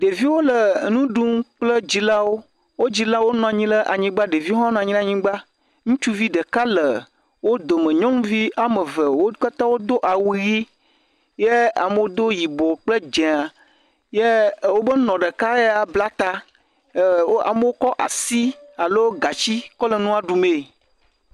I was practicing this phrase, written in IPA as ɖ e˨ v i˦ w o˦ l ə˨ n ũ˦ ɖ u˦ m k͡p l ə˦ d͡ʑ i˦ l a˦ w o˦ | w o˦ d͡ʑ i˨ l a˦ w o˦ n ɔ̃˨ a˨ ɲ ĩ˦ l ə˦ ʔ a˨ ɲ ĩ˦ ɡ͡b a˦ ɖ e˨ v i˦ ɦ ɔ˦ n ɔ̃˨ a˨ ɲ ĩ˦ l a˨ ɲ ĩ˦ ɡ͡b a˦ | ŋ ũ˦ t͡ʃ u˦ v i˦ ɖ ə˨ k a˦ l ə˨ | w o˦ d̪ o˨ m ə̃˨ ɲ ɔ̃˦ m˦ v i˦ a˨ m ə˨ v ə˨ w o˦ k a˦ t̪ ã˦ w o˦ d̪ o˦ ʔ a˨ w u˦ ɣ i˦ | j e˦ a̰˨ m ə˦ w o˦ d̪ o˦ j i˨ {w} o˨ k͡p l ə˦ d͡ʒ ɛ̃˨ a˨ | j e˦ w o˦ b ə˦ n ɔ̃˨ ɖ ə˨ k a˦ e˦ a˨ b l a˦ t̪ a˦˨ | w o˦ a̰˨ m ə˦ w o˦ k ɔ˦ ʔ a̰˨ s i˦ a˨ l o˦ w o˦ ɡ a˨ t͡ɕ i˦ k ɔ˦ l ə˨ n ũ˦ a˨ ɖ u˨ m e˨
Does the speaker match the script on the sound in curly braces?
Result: no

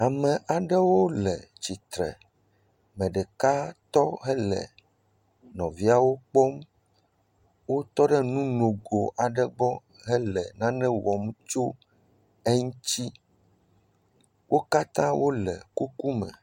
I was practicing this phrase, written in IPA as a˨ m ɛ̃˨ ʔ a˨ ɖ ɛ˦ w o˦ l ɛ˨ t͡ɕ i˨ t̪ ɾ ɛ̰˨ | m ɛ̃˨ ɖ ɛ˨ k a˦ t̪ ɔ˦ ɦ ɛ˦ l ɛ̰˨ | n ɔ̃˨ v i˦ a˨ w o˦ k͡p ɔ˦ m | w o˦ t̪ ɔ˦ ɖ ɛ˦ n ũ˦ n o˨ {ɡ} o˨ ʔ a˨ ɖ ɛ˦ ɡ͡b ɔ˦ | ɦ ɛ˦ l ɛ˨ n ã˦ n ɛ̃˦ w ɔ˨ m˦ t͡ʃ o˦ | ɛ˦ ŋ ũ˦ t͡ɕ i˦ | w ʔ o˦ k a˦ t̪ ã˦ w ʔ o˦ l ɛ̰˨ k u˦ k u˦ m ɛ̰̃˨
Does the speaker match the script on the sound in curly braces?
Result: yes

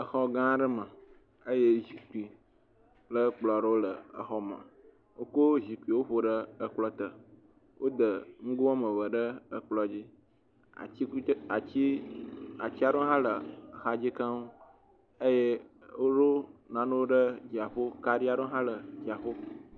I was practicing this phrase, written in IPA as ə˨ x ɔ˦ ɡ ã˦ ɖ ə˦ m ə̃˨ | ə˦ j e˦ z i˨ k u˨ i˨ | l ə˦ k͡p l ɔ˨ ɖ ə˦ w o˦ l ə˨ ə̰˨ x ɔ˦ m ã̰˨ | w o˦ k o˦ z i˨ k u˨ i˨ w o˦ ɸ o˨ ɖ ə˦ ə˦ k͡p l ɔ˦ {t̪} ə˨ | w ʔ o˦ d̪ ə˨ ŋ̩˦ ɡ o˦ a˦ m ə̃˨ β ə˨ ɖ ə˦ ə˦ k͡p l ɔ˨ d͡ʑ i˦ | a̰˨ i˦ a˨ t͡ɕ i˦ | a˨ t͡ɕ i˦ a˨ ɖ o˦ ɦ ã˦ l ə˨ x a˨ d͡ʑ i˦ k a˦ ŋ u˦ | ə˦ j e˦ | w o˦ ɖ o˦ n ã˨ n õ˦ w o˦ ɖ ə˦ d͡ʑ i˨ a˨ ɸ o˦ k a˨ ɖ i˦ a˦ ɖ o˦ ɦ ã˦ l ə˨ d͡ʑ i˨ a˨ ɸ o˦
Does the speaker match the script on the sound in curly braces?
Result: yes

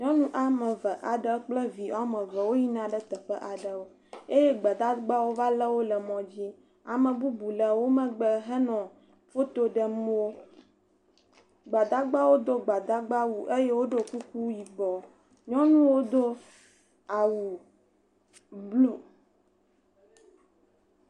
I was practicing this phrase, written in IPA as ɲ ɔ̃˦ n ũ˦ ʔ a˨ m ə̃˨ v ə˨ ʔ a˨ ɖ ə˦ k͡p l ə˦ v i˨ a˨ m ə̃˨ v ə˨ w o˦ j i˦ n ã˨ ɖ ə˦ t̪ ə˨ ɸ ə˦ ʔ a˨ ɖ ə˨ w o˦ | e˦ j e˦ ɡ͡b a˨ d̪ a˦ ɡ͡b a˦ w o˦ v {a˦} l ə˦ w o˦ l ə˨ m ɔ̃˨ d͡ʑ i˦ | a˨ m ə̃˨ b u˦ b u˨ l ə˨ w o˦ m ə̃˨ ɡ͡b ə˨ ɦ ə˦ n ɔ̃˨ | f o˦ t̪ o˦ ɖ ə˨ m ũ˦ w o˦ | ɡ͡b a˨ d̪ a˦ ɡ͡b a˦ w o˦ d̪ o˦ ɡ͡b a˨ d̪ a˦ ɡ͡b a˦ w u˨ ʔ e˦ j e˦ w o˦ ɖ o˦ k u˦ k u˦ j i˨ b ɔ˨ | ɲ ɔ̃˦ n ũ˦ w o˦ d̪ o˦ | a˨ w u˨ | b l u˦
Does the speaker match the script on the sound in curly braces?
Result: yes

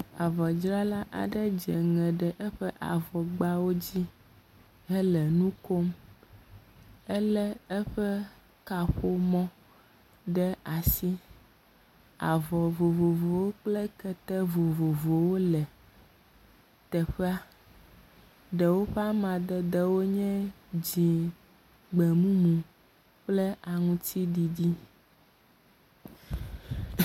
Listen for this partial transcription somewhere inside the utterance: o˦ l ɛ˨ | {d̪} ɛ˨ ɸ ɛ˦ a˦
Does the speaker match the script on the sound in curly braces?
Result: no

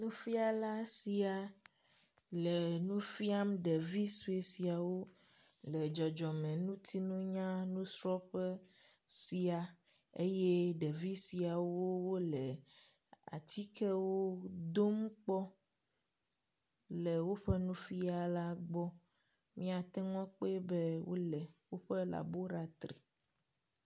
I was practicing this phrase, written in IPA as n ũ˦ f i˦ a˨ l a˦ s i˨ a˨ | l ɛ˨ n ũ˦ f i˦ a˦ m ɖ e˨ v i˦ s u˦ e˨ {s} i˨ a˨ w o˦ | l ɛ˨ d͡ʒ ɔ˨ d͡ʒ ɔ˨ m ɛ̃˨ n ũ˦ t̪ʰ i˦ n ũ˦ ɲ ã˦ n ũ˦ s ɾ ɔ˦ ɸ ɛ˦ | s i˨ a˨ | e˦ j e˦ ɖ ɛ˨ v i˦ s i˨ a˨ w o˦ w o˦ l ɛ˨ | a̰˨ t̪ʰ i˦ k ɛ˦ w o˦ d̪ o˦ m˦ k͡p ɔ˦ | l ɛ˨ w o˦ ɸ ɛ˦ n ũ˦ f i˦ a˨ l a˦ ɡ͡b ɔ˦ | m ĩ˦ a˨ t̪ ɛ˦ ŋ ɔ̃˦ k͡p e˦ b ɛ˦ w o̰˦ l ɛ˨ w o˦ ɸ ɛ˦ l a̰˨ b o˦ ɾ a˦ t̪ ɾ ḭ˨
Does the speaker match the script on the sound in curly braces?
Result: yes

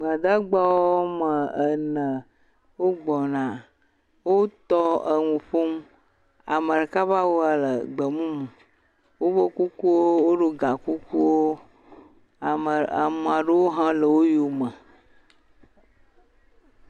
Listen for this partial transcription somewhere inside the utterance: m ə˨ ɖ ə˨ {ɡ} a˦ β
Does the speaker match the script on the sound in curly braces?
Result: no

